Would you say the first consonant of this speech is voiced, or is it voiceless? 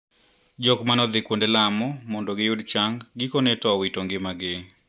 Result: voiced